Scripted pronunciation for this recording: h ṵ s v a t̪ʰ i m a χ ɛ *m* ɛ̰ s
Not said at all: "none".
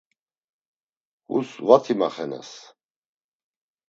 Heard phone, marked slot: n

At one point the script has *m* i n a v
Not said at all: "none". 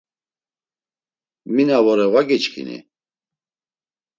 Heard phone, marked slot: m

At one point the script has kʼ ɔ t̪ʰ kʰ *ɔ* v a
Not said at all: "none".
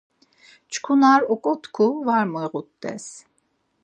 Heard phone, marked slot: u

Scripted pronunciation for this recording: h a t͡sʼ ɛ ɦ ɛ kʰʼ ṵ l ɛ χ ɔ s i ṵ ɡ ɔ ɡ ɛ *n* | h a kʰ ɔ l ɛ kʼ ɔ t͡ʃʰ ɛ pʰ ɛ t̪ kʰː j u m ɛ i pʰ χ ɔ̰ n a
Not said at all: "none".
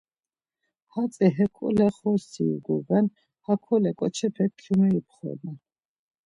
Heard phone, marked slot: n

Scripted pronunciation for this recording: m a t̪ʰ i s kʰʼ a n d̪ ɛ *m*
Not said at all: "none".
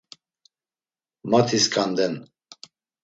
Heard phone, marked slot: n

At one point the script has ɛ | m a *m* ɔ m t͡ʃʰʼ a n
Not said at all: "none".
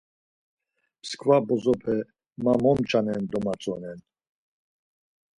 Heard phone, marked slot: m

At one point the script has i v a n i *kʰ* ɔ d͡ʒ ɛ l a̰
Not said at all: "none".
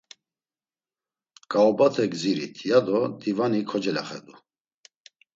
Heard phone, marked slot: kʰ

